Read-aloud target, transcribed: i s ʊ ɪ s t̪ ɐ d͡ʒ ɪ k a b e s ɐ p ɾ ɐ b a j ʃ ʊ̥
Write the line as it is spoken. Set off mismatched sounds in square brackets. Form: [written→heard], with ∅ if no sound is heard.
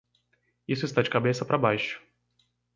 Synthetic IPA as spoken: i s ʊ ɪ s t̪ [ɐ→a] d͡ʒ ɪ k a b e s ɐ p ɾ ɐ b a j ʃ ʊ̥